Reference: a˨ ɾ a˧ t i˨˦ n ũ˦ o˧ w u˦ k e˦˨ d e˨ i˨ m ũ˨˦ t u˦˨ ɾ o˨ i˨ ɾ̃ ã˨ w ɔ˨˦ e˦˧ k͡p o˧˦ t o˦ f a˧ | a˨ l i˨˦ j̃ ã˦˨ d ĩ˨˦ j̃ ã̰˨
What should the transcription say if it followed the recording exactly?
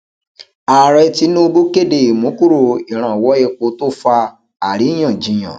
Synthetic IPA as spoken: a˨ ɾ ɛ˧ t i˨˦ n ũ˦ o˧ b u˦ k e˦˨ d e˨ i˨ m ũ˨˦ k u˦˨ ɾ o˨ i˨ ɾ̃ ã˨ w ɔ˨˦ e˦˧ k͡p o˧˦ t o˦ f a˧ | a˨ ɾ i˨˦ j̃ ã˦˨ d͡ʒ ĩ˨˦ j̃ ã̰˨